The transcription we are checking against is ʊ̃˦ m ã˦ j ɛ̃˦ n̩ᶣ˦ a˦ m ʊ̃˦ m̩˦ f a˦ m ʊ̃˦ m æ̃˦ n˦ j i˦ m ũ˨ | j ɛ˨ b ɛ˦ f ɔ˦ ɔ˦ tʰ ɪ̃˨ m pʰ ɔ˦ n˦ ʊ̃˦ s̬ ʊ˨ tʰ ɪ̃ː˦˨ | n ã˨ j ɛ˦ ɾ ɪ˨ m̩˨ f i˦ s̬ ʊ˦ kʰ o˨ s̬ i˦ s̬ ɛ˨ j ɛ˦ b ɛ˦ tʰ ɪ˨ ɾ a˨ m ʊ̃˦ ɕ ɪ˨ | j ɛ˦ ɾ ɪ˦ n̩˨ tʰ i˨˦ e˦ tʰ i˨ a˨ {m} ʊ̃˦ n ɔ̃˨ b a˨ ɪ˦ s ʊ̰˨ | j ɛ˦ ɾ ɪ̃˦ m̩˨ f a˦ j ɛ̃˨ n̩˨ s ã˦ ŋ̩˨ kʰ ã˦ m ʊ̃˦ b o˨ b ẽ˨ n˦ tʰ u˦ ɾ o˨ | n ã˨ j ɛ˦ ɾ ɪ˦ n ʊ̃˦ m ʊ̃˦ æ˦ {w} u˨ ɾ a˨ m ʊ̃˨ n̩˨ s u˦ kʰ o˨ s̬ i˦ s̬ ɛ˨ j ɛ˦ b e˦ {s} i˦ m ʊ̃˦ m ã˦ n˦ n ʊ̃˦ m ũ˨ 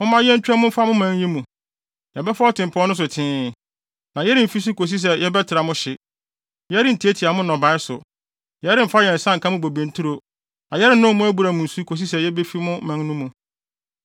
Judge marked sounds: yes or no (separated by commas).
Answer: yes, no, no